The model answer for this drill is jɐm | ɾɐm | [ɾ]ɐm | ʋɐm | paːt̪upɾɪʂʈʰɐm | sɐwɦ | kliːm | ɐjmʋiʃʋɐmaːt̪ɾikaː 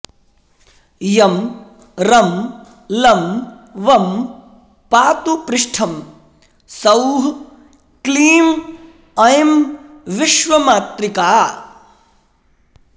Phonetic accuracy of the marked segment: incorrect: l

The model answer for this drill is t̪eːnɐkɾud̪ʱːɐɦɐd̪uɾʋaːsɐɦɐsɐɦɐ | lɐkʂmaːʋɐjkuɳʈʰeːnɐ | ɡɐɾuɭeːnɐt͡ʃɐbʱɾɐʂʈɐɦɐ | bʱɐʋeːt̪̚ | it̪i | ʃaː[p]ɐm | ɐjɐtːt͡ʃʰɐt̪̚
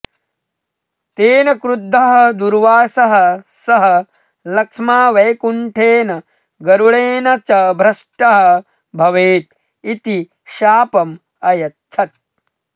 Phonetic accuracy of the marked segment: correct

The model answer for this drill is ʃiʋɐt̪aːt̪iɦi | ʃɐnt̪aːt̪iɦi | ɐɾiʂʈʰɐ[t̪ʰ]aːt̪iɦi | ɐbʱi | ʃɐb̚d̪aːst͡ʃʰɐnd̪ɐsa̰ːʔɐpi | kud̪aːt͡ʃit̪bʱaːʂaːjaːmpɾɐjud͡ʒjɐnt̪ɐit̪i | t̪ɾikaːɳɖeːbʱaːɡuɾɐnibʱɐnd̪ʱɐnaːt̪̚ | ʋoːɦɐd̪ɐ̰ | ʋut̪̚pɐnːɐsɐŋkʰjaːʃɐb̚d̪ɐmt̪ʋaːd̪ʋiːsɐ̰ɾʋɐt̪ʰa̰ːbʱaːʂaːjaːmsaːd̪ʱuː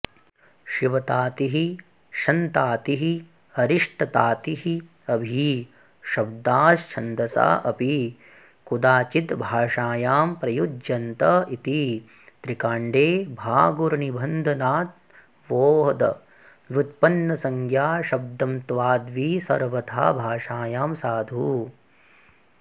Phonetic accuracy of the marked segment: incorrect: t̪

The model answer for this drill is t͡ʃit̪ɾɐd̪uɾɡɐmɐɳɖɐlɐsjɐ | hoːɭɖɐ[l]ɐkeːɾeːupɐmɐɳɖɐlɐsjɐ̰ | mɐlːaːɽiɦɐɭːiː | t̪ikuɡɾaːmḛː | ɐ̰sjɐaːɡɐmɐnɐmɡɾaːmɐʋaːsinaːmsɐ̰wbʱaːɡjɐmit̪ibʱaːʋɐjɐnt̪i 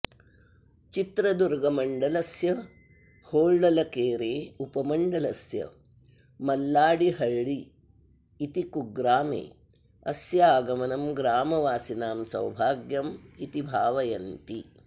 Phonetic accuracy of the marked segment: correct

